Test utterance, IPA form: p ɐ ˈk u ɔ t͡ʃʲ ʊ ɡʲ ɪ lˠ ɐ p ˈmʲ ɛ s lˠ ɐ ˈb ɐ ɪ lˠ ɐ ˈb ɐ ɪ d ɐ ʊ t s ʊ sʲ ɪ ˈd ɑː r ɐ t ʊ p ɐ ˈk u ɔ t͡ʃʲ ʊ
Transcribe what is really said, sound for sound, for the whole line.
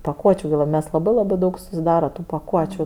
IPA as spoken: p ɐ ˈk u ɔ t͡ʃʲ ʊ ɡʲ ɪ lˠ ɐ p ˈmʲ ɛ s lˠ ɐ ˈb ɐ ɪ lˠ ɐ ˈb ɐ ɪ d ɐ ʊ k s ʊ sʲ ɪ ˈd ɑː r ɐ t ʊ p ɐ ˈk u ɔ t͡ʃʲ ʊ